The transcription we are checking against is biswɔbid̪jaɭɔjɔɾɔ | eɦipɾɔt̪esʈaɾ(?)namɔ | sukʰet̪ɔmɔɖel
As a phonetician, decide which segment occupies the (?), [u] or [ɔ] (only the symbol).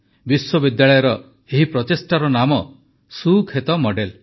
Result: ɔ